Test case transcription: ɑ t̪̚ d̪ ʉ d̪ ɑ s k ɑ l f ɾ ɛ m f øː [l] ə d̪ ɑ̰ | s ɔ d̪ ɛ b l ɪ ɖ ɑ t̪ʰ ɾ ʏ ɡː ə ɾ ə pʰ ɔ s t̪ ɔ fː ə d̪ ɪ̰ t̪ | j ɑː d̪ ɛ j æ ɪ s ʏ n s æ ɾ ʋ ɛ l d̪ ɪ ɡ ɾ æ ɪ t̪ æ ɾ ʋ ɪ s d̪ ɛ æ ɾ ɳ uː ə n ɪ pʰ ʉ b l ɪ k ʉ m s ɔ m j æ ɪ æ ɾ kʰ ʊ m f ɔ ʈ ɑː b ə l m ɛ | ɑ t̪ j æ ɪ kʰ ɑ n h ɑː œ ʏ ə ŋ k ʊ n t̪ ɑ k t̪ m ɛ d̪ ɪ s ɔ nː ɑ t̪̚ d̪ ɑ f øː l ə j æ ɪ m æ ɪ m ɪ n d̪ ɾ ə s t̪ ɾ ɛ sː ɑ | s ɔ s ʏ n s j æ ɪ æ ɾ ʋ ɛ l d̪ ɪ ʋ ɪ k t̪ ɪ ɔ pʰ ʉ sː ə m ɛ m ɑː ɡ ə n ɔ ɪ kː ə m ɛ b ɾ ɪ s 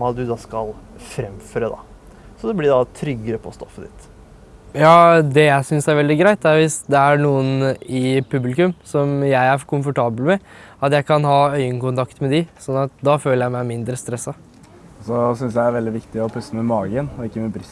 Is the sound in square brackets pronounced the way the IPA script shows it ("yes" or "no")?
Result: no